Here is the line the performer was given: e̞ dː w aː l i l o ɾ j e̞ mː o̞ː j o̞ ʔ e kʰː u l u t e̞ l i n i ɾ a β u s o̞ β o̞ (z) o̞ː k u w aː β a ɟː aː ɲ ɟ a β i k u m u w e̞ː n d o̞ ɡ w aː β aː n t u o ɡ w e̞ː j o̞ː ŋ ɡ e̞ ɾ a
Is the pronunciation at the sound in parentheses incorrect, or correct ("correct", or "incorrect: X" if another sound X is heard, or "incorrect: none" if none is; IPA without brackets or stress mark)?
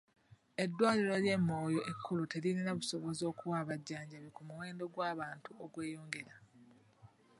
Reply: correct